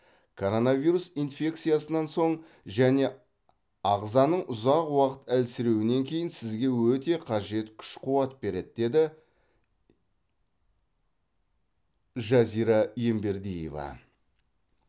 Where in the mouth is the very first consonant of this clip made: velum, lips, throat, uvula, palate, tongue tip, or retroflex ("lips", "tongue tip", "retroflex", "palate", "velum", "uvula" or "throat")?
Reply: velum